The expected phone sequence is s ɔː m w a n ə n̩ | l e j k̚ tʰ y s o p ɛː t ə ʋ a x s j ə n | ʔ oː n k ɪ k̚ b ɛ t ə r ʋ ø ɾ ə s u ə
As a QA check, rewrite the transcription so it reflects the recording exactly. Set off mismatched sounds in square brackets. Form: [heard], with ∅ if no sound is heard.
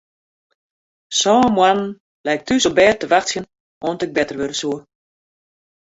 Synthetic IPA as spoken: s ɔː m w a n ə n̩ | l [ɛ] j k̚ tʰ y s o [b] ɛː t ə ʋ a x s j ə n | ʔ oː n [t] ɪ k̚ b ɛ t ə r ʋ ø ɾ ə s u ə